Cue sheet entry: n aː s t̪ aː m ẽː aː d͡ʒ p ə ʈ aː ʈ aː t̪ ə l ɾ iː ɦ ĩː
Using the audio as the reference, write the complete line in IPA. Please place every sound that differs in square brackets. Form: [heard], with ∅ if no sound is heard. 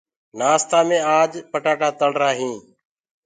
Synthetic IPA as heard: n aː s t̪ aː m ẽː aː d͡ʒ p ə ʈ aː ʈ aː t̪ ə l ɾ [aː] ɦ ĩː